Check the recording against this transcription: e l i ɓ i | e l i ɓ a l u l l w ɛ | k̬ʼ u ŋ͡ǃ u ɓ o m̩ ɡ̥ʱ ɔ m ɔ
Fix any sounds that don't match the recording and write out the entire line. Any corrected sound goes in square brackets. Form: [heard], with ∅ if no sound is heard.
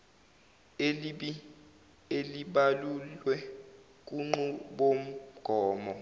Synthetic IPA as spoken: e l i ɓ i | e l i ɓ a l u l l w ɛ | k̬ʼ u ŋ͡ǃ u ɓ o m̩ ɡ̥ʱ [ɔː] m ɔ

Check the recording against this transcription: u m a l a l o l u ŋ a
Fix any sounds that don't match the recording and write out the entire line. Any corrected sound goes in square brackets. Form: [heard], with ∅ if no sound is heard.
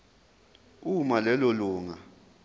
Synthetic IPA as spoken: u m a l [ɛ] l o l [uː] ŋ a

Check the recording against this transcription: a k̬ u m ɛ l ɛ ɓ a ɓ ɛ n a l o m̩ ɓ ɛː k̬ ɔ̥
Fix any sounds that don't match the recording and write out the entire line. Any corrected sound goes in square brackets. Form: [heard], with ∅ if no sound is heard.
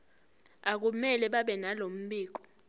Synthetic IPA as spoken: a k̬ u m ɛ l ɛ ɓ a ɓ ɛ n a l o m̩ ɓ [iː] k̬ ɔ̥

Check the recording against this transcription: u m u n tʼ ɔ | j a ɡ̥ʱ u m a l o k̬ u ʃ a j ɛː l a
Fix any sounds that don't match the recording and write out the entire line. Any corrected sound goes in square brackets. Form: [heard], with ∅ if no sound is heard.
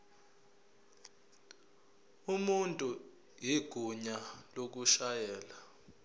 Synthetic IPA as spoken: u m u n tʼ [u] | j [i] ɡ̥ʱ u [ɲ] a l o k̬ u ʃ a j ɛː l a

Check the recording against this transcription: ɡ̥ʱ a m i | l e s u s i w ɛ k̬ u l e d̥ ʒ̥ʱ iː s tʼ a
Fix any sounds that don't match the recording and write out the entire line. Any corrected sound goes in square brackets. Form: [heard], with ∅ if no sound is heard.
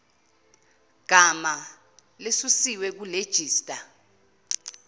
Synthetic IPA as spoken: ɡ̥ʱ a m [a] | l e s u s i w ɛ k̬ u l e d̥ ʒ̥ʱ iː s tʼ a

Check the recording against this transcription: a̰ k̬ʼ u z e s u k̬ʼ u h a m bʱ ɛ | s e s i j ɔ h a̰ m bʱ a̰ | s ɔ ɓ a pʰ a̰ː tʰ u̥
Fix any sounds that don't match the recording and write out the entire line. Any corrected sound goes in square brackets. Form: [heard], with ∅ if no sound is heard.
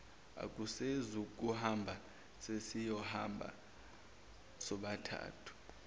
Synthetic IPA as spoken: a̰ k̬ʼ u [s] e [z] u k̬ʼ u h a m bʱ [a] | s e s i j ɔ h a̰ m bʱ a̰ | s ɔ ɓ a [tʰ] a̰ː tʰ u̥

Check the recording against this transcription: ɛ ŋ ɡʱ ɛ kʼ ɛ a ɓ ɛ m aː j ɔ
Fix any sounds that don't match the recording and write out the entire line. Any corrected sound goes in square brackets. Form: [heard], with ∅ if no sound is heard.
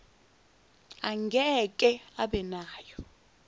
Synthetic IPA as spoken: [a] ŋ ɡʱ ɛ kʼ ɛ a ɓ ɛ [n] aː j ɔ

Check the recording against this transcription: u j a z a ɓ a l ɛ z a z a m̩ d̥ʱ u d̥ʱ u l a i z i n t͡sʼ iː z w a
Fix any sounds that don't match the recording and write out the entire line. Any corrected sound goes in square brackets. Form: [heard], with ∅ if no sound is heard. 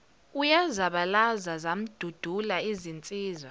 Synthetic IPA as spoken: u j a z a ɓ a l [a] z a z a m̩ d̥ʱ u d̥ʱ u l a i z i n t͡sʼ iː z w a

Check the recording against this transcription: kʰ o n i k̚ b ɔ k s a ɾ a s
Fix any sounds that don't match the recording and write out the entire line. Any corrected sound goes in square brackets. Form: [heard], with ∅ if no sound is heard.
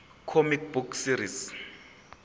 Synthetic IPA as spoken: kʰ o [m] i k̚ b [u] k s [i] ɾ [i] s

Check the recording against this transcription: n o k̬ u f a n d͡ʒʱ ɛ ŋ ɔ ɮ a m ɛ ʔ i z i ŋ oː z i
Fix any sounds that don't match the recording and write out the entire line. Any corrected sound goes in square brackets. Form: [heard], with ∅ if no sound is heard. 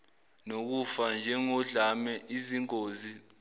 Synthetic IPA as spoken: n o k̬ u f a n d͡ʒʱ ɛ ŋ ɔ ɮ a m ɛ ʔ i z i ŋ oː z i

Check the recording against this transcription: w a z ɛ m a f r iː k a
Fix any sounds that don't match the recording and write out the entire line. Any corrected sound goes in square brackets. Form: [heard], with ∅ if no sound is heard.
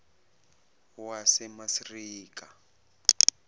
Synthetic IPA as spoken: w a [s] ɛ m a [s] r iː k a

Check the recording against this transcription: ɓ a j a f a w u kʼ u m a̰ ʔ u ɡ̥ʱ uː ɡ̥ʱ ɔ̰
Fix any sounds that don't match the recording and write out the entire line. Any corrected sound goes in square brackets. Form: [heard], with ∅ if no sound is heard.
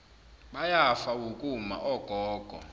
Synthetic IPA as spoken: ɓ a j a f a w u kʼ u m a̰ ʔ [ɔ] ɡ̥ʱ [ɔː] ɡ̥ʱ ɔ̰

